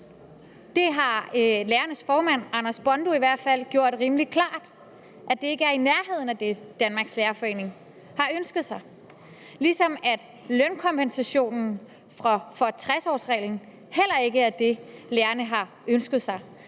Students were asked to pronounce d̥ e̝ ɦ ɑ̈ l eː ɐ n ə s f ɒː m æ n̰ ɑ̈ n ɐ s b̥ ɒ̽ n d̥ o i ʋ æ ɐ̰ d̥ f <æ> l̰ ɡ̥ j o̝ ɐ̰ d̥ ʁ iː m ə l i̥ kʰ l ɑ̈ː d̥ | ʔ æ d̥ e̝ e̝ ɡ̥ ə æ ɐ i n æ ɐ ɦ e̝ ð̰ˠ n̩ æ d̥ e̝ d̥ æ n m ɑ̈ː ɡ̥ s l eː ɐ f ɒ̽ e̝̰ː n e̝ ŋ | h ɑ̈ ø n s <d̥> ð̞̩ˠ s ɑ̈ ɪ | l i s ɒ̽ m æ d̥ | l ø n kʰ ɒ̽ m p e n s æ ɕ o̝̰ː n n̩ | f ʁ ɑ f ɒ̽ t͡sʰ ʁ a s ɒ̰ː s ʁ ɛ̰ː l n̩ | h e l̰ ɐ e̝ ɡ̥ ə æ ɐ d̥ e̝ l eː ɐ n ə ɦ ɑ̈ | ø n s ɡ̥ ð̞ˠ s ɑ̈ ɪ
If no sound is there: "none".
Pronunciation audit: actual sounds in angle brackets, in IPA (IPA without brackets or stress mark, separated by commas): æ, ɡ̥